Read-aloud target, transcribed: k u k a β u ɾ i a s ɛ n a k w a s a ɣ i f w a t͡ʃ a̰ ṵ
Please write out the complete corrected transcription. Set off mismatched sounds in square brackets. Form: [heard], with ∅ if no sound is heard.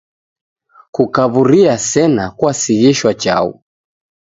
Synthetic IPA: k u k a β u ɾ i a s ɛ n a k w a s [i] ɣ i [ʃ] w a t͡ʃ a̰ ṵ